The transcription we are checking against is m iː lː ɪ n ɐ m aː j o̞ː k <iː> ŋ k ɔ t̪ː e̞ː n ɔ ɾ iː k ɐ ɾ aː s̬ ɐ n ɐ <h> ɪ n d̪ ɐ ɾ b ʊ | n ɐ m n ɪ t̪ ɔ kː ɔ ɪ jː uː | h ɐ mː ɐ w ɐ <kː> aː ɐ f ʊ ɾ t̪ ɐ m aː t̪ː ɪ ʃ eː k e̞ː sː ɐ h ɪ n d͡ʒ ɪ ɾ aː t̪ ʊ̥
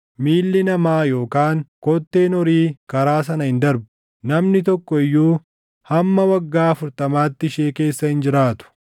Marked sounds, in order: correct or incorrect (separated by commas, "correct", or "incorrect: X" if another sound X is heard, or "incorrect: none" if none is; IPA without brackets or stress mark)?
incorrect: aː, correct, incorrect: ɡː